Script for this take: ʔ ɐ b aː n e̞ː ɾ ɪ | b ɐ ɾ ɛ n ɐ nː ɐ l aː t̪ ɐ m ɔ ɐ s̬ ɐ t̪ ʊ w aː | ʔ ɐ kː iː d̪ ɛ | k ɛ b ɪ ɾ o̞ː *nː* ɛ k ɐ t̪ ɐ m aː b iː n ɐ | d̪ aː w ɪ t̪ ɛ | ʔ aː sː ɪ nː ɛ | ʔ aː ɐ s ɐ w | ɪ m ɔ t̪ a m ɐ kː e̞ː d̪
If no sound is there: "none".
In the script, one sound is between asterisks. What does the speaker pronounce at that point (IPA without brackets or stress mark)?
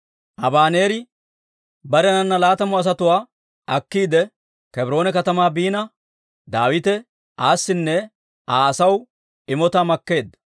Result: n